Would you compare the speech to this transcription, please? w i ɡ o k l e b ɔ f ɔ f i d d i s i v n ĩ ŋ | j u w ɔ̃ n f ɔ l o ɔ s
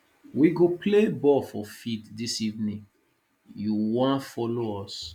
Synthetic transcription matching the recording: w i ɡ o p l e b ɔ f ɔ f i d d i s i v n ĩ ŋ | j u w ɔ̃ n f ɔ l o ɔ s